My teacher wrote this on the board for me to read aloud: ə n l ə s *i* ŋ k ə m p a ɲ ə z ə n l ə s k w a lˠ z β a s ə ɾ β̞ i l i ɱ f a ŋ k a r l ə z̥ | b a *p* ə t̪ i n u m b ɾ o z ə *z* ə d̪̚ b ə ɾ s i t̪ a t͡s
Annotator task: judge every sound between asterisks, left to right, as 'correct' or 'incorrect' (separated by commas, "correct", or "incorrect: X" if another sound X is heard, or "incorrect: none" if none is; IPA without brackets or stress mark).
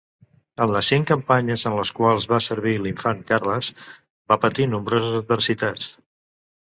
correct, correct, correct